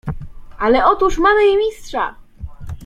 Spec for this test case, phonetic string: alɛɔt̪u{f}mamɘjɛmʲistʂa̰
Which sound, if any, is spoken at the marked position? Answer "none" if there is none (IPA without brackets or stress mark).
ʂ